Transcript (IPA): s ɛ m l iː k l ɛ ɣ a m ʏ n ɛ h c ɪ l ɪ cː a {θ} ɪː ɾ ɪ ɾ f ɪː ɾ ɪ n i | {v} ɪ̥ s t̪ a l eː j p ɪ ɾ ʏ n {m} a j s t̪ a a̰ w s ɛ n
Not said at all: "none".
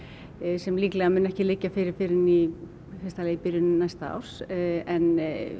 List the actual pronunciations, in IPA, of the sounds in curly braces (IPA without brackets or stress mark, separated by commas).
f, f, n